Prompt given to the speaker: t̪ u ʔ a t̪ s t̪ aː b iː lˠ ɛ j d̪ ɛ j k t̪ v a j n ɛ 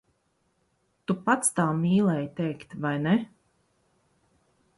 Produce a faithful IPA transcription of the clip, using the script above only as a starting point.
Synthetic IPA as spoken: t̪ u p a t̪ s t̪ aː m iː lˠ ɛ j t̪ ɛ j k t̪ v a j n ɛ